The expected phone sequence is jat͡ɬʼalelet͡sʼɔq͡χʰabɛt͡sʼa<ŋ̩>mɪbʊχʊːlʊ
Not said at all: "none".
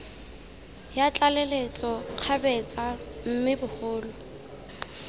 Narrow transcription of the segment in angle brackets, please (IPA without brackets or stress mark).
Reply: m̩